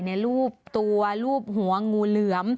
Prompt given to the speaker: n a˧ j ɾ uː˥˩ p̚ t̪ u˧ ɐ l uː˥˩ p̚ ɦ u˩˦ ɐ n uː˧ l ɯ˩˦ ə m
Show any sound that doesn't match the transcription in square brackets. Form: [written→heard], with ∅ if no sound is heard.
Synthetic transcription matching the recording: n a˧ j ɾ uː˥˩ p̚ t̪ u˧ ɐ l uː˥˩ p̚ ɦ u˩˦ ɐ [n→ŋ] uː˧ l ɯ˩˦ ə m